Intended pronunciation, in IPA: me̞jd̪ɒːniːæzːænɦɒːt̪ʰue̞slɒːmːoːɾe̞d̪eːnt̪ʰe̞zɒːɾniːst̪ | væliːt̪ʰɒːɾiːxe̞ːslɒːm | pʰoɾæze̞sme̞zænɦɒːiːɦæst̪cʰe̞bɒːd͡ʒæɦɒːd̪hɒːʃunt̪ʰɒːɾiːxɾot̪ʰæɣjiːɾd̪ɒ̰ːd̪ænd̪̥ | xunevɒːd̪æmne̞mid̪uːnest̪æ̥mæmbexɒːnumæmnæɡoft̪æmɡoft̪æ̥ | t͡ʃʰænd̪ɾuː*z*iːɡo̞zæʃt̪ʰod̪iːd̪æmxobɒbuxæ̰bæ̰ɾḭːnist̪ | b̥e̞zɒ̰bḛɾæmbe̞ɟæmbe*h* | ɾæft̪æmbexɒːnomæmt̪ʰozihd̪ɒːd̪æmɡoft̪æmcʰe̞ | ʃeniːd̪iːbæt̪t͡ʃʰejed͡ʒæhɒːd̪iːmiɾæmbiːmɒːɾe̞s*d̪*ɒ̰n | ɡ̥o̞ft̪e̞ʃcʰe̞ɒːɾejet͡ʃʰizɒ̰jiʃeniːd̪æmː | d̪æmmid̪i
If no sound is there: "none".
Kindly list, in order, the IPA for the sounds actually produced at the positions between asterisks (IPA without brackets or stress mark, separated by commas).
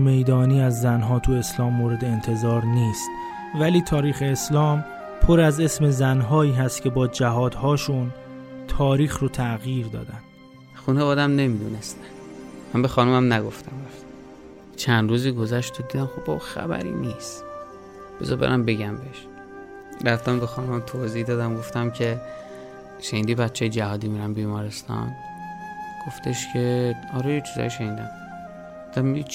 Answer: z, ʃ, t̪